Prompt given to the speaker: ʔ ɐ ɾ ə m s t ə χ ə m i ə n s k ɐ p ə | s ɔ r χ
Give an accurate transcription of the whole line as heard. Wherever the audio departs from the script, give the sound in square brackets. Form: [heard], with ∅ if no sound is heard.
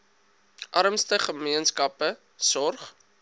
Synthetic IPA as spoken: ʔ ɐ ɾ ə m s t ə χ ə m i ə n s k ɐ p ə | s ɔ r χ